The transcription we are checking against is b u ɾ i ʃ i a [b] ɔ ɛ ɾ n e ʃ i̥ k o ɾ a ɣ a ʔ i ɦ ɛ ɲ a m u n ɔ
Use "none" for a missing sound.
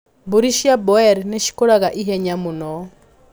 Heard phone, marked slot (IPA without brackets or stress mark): b